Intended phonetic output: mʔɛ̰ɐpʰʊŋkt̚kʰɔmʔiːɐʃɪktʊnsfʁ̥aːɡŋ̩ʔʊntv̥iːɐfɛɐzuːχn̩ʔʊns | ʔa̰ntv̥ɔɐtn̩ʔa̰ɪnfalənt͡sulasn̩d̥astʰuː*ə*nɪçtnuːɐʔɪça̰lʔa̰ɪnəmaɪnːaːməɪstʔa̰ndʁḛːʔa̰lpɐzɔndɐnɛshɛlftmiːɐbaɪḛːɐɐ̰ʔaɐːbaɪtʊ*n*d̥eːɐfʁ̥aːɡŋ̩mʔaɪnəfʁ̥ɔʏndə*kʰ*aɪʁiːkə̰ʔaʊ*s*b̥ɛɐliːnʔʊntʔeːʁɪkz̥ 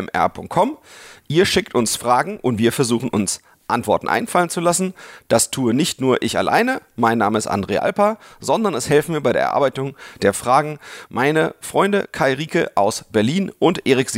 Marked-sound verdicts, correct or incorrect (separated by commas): correct, incorrect, correct, correct